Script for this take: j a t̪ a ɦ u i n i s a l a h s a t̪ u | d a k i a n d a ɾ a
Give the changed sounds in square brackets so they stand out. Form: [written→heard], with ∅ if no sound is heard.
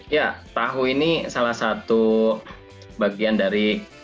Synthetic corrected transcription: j a t̪ a ɦ u i n i s a l a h s a t̪ u | [d→b] a [k→ɡ] i a n d a ɾ [a→i]